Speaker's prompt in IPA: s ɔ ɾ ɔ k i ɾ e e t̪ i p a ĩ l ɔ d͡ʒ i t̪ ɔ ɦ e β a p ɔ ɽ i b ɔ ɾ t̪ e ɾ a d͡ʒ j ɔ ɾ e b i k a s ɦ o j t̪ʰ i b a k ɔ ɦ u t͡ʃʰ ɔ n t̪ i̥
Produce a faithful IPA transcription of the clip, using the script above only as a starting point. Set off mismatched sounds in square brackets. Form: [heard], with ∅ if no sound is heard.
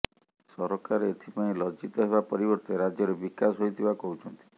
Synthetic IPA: s ɔ ɾ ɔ k [a] ɾ e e [t̪ʰ] i p a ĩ l ɔ d͡ʒ i t̪ ɔ ɦ e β a p ɔ [ɾ] i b ɔ ɾ t̪ e ɾ a d͡ʒ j ɔ ɾ e b i k a s ɦ o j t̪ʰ i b a k ɔ ɦ u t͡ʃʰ ɔ n t̪ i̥